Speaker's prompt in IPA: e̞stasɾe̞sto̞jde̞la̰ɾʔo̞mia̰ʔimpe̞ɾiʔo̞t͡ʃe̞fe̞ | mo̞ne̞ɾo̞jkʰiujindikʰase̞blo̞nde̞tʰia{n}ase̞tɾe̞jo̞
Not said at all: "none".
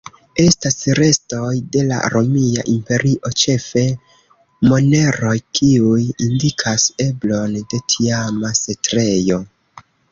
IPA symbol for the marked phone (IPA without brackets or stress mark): m